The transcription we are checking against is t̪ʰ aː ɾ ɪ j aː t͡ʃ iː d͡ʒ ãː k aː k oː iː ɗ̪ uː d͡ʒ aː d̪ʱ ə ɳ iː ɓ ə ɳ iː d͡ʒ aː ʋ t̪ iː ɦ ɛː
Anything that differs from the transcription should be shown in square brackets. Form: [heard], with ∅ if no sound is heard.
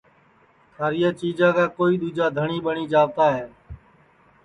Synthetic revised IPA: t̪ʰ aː ɾ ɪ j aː t͡ʃ iː d͡ʒ ãː k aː k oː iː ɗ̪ uː d͡ʒ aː d̪ʱ ə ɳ iː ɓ ə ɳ iː d͡ʒ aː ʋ t̪ [aː] ɦ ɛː